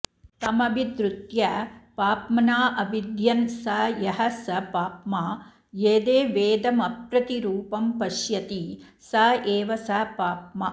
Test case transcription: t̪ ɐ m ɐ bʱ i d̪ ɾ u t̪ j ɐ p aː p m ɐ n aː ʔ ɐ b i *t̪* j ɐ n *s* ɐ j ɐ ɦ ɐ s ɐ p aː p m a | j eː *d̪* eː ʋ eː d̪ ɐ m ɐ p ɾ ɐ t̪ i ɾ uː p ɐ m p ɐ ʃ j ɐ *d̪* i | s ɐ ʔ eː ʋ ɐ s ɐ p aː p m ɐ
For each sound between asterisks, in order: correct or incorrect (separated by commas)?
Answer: incorrect, correct, correct, incorrect